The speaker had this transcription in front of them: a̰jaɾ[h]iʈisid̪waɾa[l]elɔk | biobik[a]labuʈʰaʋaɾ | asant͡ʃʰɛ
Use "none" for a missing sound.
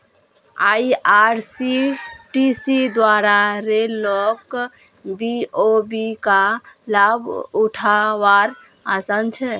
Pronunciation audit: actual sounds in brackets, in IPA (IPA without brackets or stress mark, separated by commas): s, ɾ, a